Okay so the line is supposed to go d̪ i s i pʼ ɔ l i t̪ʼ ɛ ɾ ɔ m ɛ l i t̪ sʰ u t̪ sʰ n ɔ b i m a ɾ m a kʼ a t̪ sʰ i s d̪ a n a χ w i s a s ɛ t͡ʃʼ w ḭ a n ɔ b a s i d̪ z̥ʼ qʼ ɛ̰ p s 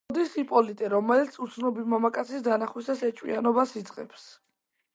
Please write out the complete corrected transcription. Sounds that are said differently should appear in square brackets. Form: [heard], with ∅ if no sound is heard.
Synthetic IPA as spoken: d̪ i s i pʼ ɔ l i t̪ʼ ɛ ɾ ɔ m ɛ l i t̪ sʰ u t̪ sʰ n ɔ b i m a [∅] m a kʼ a t̪ sʰ i s d̪ a n a χ w i s a s ɛ t͡ʃʼ w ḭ a n ɔ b a s i d̪ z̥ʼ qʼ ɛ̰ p s